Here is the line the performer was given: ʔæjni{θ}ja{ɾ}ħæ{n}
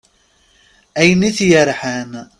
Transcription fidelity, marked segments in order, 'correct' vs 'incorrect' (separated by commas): correct, correct, correct